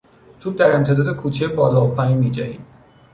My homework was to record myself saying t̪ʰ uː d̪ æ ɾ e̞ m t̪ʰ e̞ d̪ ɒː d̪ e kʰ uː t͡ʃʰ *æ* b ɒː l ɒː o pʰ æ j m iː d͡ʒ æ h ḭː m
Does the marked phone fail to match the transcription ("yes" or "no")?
yes